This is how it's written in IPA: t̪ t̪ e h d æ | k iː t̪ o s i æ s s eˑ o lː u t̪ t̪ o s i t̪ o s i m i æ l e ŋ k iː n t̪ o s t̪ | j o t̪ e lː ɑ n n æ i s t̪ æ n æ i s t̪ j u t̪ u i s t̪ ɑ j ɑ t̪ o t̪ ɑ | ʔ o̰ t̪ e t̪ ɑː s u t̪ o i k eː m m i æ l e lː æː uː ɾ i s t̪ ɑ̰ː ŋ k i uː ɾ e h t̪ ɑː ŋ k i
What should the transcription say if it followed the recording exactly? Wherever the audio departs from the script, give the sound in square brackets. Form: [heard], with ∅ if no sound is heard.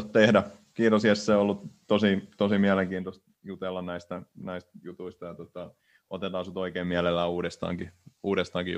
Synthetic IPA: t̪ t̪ e h d æ | k iː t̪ o s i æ s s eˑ o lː u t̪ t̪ o s i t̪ o s i m i æ l e ŋ k iː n t̪ o s t̪ | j [u] t̪ e lː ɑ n n æ i s t̪ æ n æ i s t̪ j u t̪ u i s t̪ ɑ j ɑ t̪ o t̪ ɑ | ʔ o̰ t̪ e t̪ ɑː s u t̪ o i k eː m m i æ l e lː æː uː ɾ [e] s t̪ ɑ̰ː ŋ k i uː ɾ e [s] t̪ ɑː ŋ k i